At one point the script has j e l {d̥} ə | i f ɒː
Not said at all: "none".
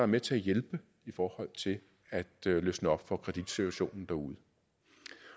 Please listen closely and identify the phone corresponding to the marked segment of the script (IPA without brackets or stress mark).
b̥